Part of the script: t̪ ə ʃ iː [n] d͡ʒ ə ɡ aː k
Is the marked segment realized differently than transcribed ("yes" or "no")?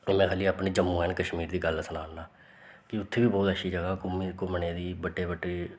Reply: yes